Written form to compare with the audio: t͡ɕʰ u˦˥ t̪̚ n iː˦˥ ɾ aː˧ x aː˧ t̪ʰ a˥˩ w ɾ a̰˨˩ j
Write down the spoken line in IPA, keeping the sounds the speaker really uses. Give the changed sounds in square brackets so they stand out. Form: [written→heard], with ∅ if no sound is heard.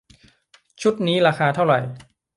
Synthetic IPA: t͡ɕʰ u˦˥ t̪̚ n iː˦˥ ɾ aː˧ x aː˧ t̪ʰ a˥˩ w ɾ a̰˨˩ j